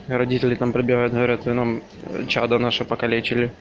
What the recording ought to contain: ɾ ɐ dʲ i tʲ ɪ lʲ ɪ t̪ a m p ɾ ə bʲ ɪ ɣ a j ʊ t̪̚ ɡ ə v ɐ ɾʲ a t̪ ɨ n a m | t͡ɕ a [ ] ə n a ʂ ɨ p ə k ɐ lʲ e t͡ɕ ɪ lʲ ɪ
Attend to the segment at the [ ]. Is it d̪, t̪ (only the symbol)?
d̪